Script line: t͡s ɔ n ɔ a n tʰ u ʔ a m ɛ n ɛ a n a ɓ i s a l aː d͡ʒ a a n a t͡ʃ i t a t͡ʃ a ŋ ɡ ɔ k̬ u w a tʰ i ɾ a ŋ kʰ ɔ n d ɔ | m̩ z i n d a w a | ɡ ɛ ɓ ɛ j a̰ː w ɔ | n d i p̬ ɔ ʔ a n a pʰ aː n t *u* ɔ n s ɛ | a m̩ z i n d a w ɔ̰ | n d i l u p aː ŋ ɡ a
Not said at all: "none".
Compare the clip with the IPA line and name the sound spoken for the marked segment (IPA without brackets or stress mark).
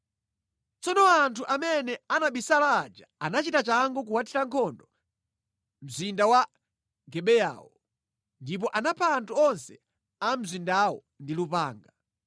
u